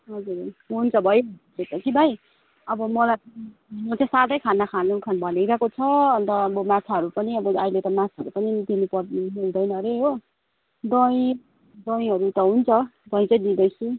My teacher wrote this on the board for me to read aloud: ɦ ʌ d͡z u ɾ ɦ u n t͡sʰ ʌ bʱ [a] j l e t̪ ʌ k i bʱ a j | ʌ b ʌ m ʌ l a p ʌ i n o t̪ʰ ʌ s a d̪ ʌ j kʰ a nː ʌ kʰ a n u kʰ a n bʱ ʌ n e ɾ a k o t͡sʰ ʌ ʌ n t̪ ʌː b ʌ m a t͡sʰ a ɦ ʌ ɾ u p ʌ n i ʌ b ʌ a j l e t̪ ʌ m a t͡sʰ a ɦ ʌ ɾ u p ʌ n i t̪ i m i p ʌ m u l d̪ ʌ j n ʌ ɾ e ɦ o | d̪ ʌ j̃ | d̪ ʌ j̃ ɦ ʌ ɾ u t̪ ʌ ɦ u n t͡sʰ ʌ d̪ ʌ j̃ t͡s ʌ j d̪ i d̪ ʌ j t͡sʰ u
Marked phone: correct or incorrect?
incorrect